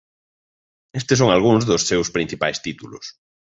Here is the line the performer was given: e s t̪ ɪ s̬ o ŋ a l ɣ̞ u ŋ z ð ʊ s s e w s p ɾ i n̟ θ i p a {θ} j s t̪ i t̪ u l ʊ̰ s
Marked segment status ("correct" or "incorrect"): incorrect